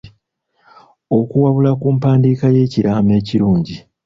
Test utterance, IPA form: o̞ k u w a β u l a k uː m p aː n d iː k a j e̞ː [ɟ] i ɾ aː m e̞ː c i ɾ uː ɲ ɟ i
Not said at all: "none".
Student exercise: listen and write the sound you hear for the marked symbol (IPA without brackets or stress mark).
c